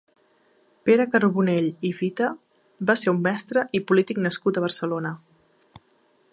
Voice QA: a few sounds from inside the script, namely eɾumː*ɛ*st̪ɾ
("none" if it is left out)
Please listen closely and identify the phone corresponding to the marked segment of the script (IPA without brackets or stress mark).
ɛ